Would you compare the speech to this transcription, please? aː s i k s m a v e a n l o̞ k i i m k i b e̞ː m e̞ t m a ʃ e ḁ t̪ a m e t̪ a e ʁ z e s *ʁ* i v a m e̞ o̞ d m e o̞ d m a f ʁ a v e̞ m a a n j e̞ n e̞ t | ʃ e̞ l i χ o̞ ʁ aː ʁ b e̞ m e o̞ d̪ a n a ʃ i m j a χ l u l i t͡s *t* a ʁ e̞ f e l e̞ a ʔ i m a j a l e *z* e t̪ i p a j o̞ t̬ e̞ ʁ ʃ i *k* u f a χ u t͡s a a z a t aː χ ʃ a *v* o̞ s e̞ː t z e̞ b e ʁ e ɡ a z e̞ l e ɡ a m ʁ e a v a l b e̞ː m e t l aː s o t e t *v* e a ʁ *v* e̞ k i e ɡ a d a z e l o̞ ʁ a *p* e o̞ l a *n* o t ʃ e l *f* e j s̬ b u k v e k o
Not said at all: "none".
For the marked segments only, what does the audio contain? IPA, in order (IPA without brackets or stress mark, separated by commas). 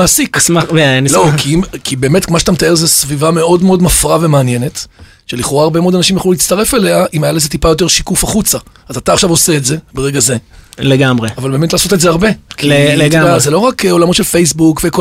v, t, z, k, v, z, b, k, m, f